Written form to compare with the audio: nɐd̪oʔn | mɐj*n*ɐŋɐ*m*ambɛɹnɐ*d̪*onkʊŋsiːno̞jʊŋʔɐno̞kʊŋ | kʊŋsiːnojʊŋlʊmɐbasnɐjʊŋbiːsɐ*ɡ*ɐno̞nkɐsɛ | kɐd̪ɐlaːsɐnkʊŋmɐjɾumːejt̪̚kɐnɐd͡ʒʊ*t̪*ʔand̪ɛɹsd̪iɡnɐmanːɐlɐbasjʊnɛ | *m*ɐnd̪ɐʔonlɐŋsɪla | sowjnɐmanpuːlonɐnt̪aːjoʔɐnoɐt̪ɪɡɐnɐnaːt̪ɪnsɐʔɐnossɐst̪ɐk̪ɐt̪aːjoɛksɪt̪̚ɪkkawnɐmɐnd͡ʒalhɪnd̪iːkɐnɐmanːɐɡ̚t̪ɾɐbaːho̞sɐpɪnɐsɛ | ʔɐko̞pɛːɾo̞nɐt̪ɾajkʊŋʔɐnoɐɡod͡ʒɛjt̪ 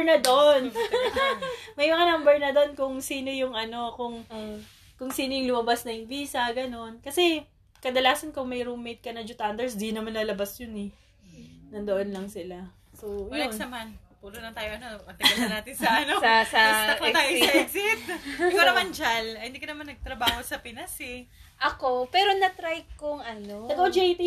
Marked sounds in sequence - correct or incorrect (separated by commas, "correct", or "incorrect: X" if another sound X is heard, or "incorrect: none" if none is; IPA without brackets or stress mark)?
incorrect: m, incorrect: n, correct, correct, correct, incorrect: n